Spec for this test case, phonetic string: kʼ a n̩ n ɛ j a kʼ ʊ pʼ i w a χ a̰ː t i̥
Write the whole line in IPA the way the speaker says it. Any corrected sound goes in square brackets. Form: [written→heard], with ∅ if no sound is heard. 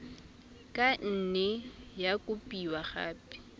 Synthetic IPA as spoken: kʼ a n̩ n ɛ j a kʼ ʊ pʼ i w a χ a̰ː [t→p] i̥